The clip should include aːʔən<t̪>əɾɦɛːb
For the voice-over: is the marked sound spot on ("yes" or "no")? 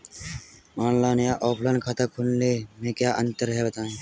yes